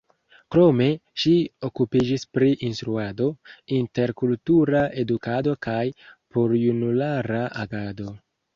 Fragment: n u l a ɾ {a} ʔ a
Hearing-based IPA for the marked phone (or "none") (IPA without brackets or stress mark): a